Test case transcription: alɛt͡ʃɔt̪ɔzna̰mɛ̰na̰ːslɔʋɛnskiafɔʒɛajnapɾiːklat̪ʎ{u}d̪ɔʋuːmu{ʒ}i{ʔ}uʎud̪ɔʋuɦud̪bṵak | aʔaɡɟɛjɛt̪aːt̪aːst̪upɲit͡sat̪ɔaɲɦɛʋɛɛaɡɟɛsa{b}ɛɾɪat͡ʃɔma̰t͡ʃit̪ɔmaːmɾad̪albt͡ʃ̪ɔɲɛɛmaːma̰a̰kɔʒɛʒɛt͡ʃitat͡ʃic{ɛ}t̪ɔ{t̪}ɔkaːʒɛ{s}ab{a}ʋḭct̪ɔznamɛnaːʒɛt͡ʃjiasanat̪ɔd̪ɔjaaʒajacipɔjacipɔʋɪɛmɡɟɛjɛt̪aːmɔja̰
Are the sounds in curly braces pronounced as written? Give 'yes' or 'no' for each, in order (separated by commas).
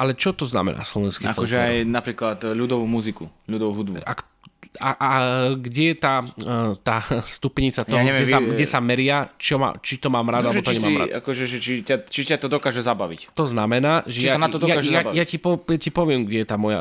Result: yes, no, no, no, no, no, no, yes